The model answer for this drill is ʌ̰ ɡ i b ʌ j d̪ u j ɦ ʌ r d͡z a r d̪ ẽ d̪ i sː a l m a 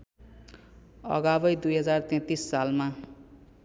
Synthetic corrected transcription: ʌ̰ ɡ a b ʌ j d̪ u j ɦ ʌ d͡z a r t̪ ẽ t̪ i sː a l m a